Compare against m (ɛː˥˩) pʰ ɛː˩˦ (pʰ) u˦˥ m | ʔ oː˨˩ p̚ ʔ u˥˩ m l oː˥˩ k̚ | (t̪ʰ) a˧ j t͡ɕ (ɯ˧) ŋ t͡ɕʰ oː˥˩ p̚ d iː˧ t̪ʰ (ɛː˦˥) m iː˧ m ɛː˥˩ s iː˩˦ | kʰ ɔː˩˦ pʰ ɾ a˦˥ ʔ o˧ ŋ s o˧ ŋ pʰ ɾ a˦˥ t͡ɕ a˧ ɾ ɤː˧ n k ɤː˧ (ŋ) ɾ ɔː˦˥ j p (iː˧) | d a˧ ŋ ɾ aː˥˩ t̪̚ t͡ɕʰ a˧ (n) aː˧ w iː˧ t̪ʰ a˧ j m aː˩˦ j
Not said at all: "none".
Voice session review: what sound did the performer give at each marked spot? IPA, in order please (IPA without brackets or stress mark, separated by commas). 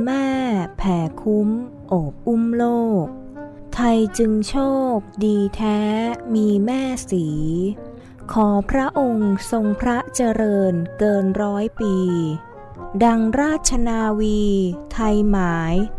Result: ɛː˥˩, kʰ, t̪ʰ, ɯ˧, ɛː˦˥, n, iː˧, n